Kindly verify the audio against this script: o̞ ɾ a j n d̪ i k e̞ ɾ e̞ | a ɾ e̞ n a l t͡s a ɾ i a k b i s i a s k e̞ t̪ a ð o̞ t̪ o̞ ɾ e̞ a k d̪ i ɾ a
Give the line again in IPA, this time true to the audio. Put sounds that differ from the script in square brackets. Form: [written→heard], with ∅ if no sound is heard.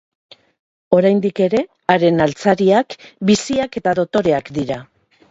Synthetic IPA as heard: o̞ ɾ a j n d̪ i k e̞ ɾ e̞ | a ɾ e̞ n a l t͡s a ɾ i a k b i s i a [s→∅] k e̞ t̪ a ð o̞ t̪ o̞ ɾ e̞ a k d̪ i ɾ a